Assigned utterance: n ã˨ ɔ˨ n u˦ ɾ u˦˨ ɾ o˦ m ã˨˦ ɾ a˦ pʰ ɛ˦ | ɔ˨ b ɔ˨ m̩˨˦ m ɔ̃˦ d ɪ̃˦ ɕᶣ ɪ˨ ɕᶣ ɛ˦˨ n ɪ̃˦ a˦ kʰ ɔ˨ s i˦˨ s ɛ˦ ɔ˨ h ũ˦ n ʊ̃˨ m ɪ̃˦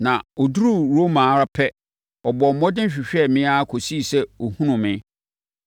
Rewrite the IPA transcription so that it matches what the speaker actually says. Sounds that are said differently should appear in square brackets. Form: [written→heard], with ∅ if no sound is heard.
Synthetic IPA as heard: n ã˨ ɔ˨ [n→d] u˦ ɾ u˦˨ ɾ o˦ m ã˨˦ ɾ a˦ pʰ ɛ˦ | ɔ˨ b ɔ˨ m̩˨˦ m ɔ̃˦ d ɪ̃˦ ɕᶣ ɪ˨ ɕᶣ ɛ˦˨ [n→m] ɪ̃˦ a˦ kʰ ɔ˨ s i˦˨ s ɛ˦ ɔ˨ h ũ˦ n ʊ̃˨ m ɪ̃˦